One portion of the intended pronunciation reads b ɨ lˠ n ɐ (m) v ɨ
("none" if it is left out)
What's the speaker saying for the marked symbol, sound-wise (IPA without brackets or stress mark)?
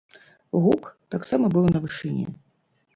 none